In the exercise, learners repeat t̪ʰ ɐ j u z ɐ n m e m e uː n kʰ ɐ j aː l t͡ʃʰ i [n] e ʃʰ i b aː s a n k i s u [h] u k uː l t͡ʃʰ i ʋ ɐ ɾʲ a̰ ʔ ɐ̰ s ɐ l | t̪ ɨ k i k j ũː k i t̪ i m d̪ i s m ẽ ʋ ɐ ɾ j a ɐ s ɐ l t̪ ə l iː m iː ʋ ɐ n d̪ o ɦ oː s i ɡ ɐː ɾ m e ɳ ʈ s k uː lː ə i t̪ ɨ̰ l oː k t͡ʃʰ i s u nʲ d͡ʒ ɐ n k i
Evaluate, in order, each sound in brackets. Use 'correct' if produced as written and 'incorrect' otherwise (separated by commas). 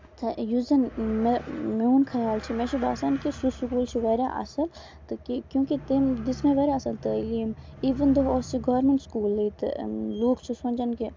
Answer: incorrect, incorrect